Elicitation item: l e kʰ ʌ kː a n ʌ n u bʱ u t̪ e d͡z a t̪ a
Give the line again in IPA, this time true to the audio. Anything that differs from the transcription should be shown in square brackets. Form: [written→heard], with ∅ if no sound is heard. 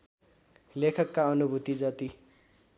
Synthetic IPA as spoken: l e kʰ ʌ kː a [n→∅] ʌ n u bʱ u t̪ [e→i] d͡z [a→ʌ] t̪ [a→i]